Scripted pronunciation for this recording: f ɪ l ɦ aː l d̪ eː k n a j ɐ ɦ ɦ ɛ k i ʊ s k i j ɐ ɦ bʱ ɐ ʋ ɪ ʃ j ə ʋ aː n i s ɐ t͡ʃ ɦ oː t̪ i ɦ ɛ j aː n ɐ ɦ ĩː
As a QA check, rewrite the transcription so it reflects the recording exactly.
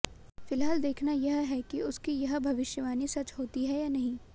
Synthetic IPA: f ɪ l ɦ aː l d̪ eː kʰ n a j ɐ ɦ ɦ ɛ k i ʊ s k i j ɐ ɦ bʱ ɐ ʋ ɪ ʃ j ə ʋ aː n i s ɐ t͡ʃ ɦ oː t̪ i ɦ ɛ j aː n ɐ ɦ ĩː